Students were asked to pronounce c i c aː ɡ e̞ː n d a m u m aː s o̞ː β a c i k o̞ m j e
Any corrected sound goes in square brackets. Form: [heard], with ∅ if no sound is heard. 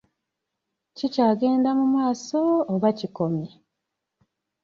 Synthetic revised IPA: c i c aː ɡ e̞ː n d a m u m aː s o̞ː β a c i k o̞ m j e